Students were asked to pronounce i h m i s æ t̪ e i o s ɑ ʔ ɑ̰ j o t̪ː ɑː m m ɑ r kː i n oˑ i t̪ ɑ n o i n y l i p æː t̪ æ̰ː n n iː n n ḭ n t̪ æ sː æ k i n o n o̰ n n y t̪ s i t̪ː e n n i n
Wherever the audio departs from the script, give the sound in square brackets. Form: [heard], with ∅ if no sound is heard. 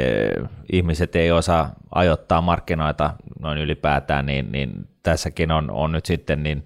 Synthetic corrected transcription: i h m i s [e] t̪ e i o s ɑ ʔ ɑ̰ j o t̪ː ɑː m m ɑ r kː i n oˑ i t̪ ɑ n o i n y l i p æː t̪ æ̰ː n n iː n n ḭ n t̪ æ sː æ k i n o n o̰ n n y t̪ s i t̪ː e n n i n